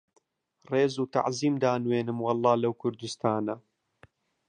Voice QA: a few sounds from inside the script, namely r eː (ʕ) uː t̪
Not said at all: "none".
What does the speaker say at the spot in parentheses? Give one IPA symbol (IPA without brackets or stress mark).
z